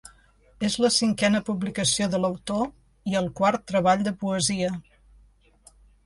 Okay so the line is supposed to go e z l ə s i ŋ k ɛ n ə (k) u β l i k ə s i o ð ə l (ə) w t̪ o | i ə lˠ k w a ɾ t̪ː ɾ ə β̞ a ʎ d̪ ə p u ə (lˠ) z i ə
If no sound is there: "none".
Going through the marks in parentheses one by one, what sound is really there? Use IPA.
p, ə, none

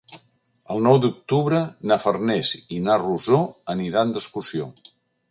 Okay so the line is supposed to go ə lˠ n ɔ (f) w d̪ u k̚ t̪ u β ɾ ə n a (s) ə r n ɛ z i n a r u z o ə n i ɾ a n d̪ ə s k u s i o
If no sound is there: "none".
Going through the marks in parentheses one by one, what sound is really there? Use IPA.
none, f

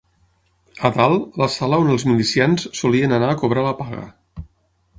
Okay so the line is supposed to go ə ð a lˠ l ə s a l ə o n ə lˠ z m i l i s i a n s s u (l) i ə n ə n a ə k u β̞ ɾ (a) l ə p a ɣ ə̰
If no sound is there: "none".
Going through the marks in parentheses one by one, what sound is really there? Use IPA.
l, a

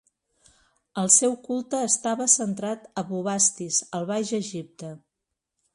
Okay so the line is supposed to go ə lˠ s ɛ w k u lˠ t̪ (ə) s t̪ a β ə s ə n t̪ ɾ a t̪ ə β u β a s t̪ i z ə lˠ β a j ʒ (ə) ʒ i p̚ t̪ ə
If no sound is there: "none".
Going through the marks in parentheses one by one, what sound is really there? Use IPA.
əː, ə

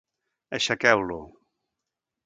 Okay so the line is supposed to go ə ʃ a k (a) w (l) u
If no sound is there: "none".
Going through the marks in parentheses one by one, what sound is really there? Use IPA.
ɛ, l

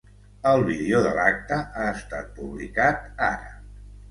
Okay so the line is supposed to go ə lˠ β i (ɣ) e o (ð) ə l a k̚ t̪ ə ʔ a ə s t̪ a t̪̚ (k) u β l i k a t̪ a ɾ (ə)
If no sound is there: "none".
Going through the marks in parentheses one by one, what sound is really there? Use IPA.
ð, ð, p, ə

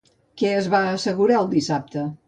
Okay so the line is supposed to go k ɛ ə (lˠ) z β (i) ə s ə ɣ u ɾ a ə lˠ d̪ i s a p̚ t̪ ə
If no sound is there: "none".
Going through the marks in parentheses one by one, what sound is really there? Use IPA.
none, a

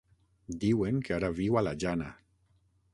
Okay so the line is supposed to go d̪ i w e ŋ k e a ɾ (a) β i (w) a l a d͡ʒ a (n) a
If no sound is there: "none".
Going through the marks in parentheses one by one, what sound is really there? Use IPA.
a, w, n

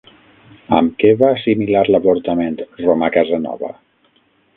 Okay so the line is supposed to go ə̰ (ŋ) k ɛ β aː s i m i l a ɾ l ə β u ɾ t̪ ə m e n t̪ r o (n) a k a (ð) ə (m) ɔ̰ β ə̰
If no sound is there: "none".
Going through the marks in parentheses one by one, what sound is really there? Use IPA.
m, m, z, n

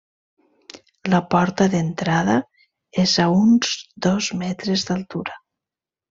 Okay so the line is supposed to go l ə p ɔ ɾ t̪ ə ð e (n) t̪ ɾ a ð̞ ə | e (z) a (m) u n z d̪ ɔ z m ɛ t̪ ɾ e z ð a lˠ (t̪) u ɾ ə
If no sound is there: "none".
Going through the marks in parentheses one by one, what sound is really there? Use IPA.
n, z, none, t̪

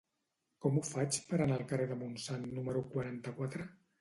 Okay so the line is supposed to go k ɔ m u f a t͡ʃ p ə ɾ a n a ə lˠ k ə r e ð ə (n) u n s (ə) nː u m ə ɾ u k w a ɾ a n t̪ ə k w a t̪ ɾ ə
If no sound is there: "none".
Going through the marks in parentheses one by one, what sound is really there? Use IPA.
m, a

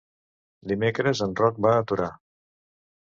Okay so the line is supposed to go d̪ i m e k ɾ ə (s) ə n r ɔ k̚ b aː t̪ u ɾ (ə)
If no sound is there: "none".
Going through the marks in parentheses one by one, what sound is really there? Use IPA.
z, a

